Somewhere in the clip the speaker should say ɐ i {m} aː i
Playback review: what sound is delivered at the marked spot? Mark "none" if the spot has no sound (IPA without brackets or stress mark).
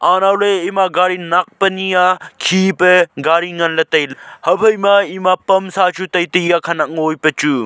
m